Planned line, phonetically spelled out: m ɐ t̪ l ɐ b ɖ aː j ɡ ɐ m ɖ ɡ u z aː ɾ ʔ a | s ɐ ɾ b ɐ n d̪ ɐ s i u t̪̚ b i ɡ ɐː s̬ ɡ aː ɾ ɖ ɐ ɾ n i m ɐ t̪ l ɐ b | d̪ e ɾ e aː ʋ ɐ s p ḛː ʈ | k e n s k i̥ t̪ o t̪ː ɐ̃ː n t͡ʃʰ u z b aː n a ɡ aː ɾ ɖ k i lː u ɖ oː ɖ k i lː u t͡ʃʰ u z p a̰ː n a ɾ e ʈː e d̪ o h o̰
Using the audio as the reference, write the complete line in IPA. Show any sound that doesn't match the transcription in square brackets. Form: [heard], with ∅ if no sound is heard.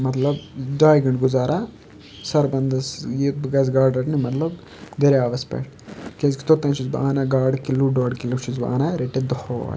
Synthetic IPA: m ɐ t̪ l ɐ b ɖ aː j ɡ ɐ [ɳ] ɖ ɡ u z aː ɾ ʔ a | s ɐ ɾ b ɐ n d̪ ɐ s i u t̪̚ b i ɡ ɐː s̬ ɡ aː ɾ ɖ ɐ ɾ n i m ɐ t̪ l ɐ b | d̪ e ɾ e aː ʋ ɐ s p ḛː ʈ | k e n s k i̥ t̪ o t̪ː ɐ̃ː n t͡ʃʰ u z b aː n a ɡ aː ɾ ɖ k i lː u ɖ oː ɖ k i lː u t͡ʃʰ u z [b] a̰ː n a ɾ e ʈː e d̪ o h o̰